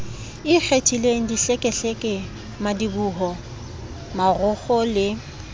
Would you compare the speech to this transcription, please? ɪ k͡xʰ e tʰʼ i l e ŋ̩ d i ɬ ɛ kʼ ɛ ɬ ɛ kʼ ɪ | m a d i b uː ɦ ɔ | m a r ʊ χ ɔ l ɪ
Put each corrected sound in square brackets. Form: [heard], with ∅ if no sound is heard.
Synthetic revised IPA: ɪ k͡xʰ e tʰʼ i l e ŋ̩ d i ɬ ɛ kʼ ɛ ɬ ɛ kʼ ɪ | m a d i b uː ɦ ɔ | m a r ʊ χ ɔ l ɪ